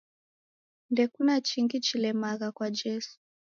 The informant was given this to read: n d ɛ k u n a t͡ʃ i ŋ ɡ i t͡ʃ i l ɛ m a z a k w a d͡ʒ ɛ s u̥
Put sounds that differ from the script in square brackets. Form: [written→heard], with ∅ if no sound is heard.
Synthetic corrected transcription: n d ɛ k u n a t͡ʃ i ŋ ɡ i t͡ʃ i l ɛ m a [z→ɣ] a k w a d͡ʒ ɛ s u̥